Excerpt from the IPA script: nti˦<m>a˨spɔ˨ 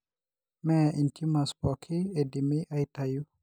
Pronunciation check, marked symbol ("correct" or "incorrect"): correct